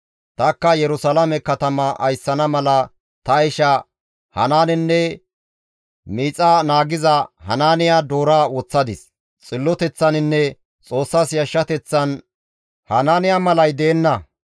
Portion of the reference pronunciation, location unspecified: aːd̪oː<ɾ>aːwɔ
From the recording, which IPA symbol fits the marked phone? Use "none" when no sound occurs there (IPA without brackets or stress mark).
ɾ